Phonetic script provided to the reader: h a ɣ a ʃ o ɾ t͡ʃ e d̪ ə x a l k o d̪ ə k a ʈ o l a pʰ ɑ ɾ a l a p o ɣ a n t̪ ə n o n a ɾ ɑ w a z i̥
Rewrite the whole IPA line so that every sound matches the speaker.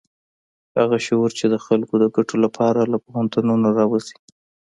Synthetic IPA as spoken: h a ɣ a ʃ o ɾ t͡ʃ e d̪ ə x a l k o d̪ ə ɡ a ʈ o l a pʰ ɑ ɾ a l a p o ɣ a n t̪ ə n o n a ɾ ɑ w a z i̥

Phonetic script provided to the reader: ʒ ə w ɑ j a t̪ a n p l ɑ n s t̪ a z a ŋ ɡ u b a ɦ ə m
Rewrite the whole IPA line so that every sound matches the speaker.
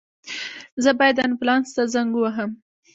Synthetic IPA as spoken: z ə b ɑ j a d̪ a n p l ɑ n s t̪ a z a ŋ ɡ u w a ɦ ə m

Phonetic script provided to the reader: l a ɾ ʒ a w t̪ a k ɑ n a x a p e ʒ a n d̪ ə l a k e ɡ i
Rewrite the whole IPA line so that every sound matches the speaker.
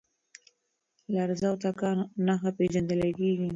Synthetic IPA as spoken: l a ɾ z a w t̪ a k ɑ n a x a p e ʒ a n d̪ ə l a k e ɡ i

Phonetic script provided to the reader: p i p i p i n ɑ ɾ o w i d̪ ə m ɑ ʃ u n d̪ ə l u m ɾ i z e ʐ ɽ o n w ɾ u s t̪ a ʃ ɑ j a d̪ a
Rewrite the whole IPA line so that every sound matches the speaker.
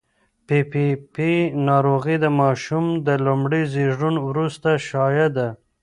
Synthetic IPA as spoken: p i p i p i n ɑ ɾ o ɣ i d̪ ə m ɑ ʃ u m d̪ ə l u m ɽ i z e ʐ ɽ u n w ɾ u s t̪ a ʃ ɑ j a d̪ a

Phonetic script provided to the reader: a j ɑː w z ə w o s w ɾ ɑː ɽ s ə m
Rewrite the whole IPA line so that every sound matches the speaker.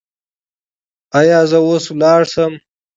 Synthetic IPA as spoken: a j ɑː z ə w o s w l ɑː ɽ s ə m

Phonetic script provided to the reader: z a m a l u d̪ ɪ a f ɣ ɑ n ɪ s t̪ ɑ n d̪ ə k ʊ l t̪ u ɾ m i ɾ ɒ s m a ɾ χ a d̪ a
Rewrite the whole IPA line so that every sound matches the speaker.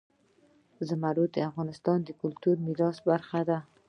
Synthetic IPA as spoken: z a m a ɾ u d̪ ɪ a f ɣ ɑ n ɪ s t̪ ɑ n d̪ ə k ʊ l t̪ u ɾ m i ɾ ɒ s b a ɾ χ a d̪ a

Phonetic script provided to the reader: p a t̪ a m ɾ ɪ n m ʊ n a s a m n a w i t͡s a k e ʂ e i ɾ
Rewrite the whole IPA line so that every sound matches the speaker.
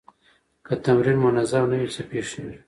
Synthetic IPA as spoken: k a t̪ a m ɾ i n m ʊ n a z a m n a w i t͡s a p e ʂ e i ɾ

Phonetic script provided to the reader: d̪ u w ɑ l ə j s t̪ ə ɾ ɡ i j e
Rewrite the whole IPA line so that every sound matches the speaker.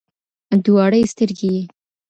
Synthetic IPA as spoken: d̪ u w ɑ ɽ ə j s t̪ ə ɾ ɡ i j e

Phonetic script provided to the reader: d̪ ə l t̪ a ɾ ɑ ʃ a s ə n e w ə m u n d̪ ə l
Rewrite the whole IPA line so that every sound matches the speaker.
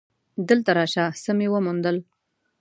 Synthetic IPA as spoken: d̪ ə l t̪ a ɾ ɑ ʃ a s ə m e w ə m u n d̪ ə l

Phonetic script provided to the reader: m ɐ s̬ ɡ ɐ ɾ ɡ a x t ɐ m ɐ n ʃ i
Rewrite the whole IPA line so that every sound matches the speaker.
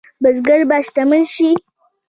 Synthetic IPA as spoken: b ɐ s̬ ɡ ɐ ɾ b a ʃ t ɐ m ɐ n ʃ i

